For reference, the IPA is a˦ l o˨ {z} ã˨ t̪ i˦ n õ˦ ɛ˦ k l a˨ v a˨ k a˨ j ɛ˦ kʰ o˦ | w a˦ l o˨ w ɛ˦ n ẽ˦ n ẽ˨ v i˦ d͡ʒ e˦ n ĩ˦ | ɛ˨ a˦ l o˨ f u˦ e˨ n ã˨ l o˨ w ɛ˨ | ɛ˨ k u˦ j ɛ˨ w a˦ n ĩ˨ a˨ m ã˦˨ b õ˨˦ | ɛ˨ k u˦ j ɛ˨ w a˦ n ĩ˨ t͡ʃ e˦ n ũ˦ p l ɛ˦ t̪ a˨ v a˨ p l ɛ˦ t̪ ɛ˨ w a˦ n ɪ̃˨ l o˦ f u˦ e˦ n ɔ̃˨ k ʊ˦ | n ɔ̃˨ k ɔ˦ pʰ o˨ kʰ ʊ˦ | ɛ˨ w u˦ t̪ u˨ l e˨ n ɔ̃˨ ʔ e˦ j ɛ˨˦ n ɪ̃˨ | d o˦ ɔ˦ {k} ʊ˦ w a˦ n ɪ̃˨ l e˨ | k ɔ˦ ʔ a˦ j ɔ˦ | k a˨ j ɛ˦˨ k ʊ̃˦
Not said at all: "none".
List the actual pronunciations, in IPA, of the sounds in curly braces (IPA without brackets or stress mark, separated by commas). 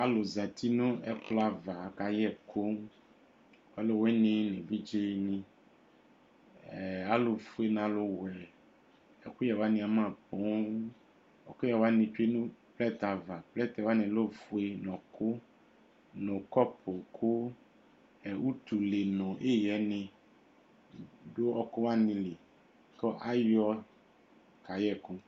z, k